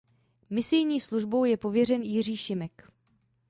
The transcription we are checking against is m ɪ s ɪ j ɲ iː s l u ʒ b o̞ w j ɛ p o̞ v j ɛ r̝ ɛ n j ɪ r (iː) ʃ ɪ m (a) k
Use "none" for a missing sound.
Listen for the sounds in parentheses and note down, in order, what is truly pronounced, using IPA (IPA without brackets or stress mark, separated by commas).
iː, ɛ